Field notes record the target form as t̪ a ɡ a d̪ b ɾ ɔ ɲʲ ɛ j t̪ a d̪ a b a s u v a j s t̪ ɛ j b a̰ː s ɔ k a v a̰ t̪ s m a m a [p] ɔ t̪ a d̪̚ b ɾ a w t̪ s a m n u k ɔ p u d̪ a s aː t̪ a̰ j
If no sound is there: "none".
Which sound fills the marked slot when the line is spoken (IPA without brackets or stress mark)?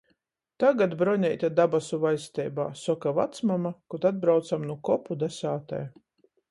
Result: k